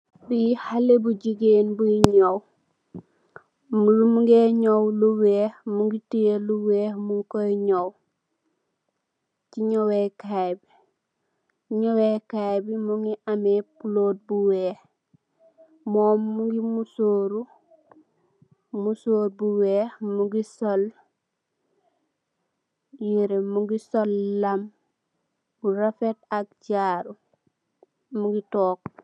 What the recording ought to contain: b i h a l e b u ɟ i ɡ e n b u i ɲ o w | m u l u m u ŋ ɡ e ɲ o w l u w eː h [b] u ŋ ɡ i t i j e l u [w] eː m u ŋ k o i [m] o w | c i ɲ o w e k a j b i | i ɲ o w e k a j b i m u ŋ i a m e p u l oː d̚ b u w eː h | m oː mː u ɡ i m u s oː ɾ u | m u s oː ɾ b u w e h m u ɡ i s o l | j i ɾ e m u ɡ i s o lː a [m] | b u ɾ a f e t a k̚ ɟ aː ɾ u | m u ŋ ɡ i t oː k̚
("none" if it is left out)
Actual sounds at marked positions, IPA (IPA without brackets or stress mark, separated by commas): m, w, ɲ, m